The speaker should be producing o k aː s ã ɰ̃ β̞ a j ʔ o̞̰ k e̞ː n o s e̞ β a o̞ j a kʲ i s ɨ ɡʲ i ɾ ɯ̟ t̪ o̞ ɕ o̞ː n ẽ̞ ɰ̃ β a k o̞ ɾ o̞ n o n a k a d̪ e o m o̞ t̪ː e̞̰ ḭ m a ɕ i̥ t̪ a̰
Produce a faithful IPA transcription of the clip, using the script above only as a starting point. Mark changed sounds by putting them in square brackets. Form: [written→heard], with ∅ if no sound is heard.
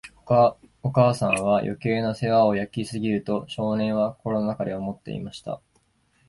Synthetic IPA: o k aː s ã ɰ̃ β̞ a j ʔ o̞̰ k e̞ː n o s e̞ β a o̞ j a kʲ i s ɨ ɡʲ i ɾ ɯ̟ t̪ o̞ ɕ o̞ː n ẽ̞ ɰ̃ β a k o̞ ɾ o̞ n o n a k a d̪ e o m o̞ t̪ː e̞̰ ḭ m a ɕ i̥ t̪ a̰

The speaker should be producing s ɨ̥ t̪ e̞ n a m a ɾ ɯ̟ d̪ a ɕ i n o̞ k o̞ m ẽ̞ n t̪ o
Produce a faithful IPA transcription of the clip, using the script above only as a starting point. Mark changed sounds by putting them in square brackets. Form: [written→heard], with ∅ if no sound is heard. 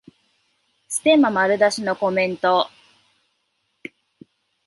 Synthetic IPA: s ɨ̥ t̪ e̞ [n→m] a m a ɾ ɯ̟ d̪ a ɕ i n o̞ k o̞ m ẽ̞ n t̪ o

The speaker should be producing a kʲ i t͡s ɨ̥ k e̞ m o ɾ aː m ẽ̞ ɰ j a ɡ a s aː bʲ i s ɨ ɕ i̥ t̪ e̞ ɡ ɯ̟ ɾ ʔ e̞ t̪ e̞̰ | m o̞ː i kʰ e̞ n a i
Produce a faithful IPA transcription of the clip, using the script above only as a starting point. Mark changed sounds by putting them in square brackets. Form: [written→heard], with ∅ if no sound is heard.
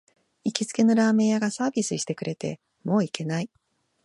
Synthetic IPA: [a→i] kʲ i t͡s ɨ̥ k e̞ [m→n] o ɾ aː m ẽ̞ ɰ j a ɡ a s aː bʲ i s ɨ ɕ i̥ t̪ e̞ [ɡ→k] ɯ̟ ɾ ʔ e̞ t̪ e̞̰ | m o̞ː i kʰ e̞ n a i

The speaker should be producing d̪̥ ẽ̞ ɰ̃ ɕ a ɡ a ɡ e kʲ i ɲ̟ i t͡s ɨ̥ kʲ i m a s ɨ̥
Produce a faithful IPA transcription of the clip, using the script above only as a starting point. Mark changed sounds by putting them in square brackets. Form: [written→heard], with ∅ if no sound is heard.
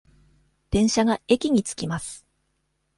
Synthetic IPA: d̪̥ ẽ̞ ɰ̃ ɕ a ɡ a [ɡ→∅] e kʲ i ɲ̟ i t͡s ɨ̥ kʲ i m a s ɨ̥

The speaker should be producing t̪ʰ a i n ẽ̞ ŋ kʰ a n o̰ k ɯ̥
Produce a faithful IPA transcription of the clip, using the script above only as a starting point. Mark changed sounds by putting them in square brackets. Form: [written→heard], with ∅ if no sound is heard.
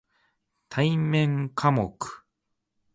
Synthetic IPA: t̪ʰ a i [n→m] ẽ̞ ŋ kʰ a [n→m] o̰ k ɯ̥

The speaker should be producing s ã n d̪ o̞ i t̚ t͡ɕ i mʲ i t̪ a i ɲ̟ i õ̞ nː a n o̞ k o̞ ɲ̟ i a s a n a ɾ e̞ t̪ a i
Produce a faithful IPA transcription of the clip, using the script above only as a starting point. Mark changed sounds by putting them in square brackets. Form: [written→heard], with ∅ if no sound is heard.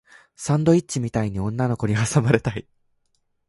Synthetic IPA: s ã n d̪ o̞ i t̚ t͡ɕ i mʲ i t̪ a i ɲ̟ i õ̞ nː a n o̞ k o̞ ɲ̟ i a s a [n→m] a ɾ e̞ t̪ a i

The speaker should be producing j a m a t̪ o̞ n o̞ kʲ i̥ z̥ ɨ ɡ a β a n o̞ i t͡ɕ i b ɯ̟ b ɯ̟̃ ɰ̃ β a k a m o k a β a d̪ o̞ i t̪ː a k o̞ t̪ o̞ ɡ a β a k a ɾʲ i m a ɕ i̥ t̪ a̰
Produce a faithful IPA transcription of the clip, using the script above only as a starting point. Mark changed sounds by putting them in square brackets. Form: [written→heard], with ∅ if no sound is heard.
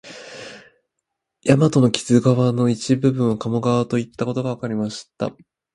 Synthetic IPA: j a m a t̪ o̞ n o̞ kʲ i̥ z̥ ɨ ɡ a β a n o̞ i t͡ɕ i b ɯ̟ b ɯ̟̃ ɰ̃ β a k a m o [k→ɡ] a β a [d̪→t̪] o̞ i t̪ː a k o̞ t̪ o̞ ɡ a β a k a ɾʲ i m a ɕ i̥ t̪ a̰

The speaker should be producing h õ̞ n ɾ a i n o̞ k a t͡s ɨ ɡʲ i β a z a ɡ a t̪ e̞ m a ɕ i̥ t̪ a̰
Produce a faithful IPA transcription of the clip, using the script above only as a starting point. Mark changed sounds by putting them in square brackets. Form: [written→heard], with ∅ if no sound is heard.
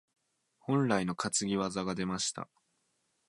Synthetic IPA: h õ̞ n ɾ a i n o̞ k a t͡s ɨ ɡʲ i β a z a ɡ a [t̪→d̪] e̞ m a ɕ i̥ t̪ a̰

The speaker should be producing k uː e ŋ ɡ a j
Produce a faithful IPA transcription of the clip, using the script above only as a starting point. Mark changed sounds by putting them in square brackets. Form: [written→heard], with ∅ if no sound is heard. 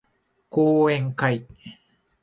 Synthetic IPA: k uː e ŋ [ɡ→k] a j

